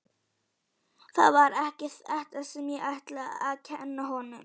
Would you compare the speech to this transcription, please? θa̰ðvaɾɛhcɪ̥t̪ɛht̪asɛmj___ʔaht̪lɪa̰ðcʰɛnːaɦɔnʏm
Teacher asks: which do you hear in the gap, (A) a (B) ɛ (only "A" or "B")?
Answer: B